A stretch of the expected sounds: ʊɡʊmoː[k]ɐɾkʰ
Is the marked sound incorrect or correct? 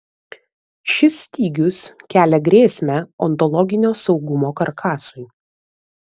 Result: correct